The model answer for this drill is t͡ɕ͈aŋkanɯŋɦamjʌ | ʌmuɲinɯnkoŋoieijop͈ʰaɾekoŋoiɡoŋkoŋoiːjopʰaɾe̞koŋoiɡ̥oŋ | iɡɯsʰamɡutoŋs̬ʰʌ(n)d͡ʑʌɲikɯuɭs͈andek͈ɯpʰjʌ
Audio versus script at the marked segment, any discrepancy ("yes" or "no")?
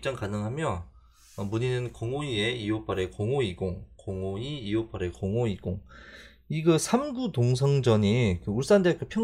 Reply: yes